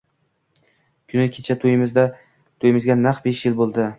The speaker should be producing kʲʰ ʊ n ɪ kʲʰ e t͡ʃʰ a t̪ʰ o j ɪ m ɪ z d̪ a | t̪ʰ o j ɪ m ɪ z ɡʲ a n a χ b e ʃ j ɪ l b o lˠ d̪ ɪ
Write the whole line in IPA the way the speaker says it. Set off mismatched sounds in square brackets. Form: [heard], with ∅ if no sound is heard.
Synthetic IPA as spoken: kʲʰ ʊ n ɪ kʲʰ e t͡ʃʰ a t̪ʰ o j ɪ m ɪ z d̪ a | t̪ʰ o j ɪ m ɪ z ɡʲ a n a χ b e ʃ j ɪ l b o lˠ d̪ ɪ